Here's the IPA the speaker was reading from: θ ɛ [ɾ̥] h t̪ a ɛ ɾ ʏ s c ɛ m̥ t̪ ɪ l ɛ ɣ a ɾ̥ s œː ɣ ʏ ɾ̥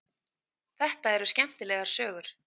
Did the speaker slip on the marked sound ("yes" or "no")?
yes